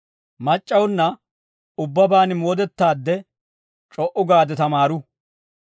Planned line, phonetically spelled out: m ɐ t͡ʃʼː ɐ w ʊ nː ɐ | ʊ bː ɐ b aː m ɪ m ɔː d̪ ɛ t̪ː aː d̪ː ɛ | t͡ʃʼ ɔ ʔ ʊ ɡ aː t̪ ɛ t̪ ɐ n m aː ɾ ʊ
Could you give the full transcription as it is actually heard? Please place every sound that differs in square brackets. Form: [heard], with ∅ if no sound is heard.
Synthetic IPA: m ɐ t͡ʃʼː ɐ w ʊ nː ɐ | ʊ bː ɐ b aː [n] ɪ m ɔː d̪ ɛ t̪ː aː d̪ː ɛ | t͡ʃʼ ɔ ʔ ʊ ɡ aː [d̪] ɛ t̪ ɐ [∅] m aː ɾ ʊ